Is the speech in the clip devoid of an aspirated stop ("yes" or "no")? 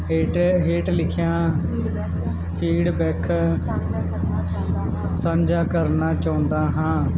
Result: no